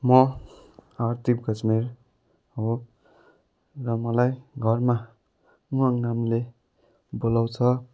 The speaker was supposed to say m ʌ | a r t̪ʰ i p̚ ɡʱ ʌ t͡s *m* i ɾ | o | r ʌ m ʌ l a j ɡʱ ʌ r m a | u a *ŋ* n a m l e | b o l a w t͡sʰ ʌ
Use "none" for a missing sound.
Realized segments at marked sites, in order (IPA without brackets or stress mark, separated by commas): m, ŋ